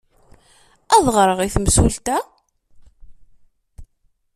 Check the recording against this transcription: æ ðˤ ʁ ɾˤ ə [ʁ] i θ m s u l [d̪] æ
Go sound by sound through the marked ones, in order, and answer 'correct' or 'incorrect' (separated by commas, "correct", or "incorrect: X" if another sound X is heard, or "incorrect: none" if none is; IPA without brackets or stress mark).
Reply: correct, incorrect: t̪